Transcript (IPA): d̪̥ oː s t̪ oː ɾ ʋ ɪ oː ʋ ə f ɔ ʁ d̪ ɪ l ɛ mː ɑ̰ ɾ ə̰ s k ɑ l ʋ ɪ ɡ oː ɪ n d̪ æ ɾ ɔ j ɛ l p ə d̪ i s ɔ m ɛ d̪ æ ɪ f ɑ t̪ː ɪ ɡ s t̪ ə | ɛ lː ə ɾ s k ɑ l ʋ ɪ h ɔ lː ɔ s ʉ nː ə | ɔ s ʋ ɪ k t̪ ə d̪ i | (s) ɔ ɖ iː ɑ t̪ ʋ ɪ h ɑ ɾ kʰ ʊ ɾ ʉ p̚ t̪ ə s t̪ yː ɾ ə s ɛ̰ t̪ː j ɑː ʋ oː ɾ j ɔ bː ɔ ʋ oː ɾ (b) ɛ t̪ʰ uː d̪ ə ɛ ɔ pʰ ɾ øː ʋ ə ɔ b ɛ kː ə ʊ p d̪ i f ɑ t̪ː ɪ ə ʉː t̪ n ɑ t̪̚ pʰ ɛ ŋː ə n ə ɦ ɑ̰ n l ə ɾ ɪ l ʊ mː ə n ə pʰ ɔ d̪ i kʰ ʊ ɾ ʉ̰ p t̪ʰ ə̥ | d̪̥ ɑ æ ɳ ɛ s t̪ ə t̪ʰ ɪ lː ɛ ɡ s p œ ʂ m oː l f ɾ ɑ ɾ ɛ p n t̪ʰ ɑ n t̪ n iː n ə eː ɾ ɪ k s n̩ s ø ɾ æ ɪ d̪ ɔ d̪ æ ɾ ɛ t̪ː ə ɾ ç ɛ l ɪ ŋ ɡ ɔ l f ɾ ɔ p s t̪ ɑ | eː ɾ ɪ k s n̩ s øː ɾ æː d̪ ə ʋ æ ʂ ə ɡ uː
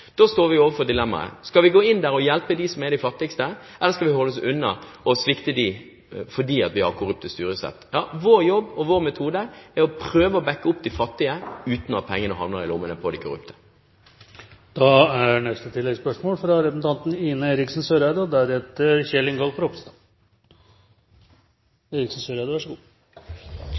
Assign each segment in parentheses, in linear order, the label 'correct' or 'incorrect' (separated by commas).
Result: incorrect, incorrect